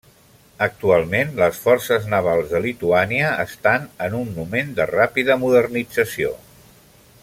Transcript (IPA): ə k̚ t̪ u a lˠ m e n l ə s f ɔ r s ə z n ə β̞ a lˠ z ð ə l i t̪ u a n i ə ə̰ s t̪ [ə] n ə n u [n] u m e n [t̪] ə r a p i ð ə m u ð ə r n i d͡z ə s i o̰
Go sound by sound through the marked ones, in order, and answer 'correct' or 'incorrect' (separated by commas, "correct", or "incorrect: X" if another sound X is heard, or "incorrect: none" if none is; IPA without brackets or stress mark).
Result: incorrect: a, incorrect: nː, incorrect: d̪